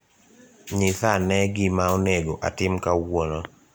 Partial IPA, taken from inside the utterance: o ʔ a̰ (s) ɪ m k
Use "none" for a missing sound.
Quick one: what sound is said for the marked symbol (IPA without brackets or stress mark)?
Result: t